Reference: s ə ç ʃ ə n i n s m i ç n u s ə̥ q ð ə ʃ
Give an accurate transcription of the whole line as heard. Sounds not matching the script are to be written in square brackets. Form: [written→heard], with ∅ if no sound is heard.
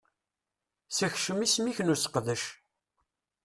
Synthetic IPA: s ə ç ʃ ə [n→m] i [n→∅] s m i ç n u s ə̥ q ð ə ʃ

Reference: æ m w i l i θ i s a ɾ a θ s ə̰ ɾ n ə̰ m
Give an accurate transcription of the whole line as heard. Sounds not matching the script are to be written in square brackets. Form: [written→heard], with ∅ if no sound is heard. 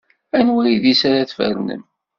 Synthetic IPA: æ [m→n] w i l i [θ→ð] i s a ɾ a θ [s→f] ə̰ ɾ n ə̰ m

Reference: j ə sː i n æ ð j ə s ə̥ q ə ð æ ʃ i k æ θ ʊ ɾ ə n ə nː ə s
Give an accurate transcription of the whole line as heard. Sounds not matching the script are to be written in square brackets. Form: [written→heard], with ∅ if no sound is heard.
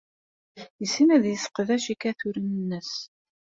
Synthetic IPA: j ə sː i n æ ð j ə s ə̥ q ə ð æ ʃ i k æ θ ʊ ɾ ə n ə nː ə s

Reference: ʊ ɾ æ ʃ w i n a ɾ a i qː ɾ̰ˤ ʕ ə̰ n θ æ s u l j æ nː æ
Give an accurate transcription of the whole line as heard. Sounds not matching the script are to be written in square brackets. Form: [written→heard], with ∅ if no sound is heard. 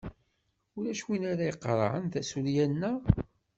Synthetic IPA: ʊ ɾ æ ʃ w i n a ɾ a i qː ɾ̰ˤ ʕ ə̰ n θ æ s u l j æ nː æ

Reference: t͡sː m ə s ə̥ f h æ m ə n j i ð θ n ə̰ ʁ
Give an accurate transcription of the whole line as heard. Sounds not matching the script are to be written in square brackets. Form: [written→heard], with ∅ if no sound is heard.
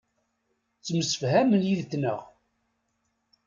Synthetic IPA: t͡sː m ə s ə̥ f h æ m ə n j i ð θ n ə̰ ʁ

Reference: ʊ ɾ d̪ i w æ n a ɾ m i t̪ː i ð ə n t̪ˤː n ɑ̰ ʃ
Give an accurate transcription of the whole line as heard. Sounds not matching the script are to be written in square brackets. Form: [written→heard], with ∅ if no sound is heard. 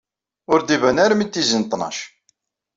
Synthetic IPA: ʊ ɾ d̪ i [w→v] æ n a ɾ m i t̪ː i [ð→z] ə n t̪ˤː n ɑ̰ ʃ

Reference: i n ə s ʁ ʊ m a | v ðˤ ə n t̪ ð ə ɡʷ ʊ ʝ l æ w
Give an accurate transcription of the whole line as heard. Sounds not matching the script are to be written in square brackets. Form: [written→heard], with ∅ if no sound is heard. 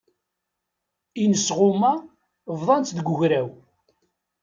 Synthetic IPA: i n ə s ʁ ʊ m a | v ðˤ [ə→ɑ] n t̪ ð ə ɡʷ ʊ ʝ [l→ɾ] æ w

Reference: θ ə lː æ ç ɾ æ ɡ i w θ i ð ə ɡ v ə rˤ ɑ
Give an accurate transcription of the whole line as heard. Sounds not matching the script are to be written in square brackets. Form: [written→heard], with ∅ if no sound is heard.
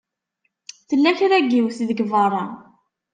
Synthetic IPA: θ ə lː æ ç ɾ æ ɡ i w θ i ð ə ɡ v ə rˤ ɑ

